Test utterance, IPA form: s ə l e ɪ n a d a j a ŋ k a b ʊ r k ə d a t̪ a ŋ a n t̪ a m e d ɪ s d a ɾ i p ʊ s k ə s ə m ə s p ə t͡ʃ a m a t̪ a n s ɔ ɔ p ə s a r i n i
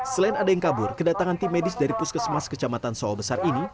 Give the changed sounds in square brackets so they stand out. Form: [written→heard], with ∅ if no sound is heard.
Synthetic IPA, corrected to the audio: s ə l [e→a] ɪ n a d a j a ŋ k a b ʊ r k ə d a t̪ a ŋ a n t̪ [a→i] m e d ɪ s d a ɾ i p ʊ s k ə s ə m [ə→a] s [p→k] ə t͡ʃ a m a t̪ a n s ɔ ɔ [p→b] ə s a r i n i